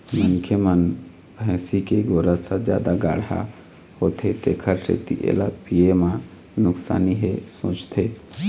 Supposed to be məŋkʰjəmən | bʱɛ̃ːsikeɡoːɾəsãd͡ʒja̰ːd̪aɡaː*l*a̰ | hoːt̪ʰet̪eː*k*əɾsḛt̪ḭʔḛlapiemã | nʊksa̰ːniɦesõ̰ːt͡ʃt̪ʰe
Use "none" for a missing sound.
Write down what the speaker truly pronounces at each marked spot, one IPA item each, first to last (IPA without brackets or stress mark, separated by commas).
ɽ, kʰ